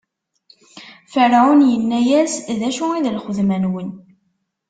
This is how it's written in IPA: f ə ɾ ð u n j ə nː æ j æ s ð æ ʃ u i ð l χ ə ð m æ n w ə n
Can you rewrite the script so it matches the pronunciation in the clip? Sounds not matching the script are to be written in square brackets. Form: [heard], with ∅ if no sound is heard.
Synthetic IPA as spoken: f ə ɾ [ʕ] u n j ə nː æ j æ s ð æ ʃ u i ð l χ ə ð m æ n w ə n